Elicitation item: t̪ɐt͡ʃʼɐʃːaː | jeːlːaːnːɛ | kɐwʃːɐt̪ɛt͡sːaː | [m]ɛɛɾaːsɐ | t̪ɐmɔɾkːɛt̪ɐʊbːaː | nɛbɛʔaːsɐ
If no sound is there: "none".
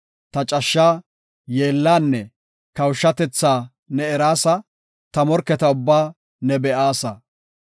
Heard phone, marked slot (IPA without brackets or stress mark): n